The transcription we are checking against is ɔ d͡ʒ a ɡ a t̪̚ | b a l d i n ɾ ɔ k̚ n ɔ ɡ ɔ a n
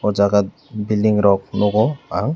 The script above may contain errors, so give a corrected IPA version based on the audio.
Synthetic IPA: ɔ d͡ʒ a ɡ a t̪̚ | b i l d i ŋ ɾ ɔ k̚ n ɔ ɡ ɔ a ŋ